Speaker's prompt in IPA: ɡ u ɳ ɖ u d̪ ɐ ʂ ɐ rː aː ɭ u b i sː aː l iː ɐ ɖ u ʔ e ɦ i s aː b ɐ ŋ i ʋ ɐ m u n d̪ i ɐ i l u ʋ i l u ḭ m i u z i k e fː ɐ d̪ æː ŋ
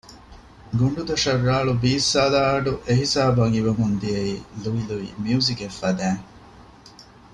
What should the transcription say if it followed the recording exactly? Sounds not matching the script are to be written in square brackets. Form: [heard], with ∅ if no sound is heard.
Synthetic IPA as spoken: ɡ u ɳ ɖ u d̪ ɐ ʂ ɐ rː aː ɭ u b [iː] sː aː l [aː] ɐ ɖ u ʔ e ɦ i s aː b ɐ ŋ i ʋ ɐ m u n d̪ i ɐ i l u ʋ i l u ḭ m i u z i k e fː ɐ d̪ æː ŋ